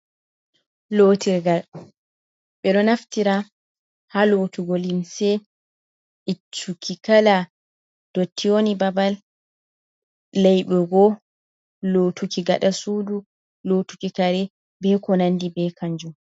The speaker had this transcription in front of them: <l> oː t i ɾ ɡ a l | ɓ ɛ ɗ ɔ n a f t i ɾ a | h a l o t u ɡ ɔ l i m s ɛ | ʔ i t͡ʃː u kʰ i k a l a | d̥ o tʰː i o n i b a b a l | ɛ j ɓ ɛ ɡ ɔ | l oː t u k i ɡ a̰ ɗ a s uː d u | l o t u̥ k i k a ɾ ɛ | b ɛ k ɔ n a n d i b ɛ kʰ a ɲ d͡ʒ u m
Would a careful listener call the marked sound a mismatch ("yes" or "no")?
no